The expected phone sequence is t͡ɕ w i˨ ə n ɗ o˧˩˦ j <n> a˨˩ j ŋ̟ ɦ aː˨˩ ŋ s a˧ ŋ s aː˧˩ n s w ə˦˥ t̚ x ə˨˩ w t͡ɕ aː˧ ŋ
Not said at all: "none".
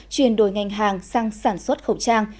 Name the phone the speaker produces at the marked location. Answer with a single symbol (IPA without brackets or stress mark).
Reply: ŋ